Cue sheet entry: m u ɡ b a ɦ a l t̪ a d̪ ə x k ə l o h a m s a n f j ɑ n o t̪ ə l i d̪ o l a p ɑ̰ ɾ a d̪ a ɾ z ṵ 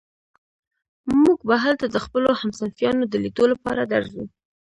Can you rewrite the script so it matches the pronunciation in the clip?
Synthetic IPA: m u ɡ b a ɦ a l t̪ a d̪ ə x p ə l o h a m s a n f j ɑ n o d̪ ə l i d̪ o l a p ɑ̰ ɾ a d̪ a ɾ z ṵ